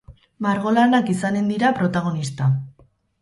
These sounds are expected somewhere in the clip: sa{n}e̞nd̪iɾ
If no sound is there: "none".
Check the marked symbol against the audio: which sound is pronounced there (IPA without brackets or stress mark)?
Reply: n